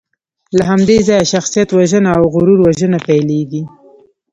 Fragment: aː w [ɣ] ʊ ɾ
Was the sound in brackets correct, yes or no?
yes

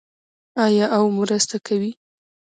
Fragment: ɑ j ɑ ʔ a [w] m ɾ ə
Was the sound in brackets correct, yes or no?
yes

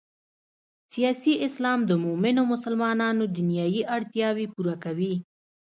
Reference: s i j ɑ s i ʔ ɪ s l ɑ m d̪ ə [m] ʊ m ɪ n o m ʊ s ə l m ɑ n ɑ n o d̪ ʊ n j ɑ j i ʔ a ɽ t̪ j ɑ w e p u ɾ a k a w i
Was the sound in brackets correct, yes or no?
yes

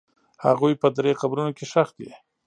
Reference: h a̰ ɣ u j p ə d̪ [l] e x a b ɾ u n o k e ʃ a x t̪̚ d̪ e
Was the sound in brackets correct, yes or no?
no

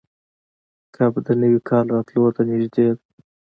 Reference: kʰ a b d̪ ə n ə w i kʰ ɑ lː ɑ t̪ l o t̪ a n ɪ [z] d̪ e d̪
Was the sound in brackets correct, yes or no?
no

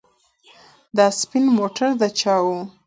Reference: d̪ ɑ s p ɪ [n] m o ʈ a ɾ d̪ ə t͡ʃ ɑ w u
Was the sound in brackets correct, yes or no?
yes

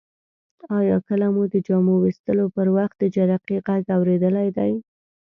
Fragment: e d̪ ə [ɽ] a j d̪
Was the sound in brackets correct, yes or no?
no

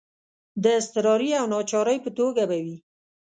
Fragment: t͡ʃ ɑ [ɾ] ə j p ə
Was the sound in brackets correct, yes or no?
yes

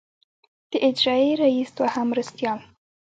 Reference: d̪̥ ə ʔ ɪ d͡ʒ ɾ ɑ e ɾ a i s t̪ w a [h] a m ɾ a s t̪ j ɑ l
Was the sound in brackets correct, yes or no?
yes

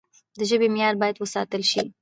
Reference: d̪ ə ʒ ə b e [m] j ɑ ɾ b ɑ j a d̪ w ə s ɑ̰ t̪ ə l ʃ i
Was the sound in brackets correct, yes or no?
yes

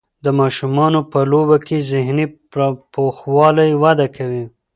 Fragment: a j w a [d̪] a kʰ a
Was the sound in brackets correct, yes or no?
yes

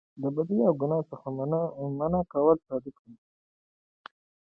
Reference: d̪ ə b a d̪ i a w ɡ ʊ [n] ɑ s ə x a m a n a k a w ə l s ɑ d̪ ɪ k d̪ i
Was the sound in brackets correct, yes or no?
yes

